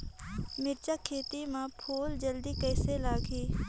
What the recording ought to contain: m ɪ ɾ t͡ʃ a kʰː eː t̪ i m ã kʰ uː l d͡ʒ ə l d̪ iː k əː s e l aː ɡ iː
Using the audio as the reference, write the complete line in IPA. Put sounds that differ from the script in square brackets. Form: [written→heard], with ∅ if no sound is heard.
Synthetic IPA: m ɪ ɾ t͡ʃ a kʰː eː t̪ i m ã [kʰ→pʰ] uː l d͡ʒ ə l d̪ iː k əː s e l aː ɡ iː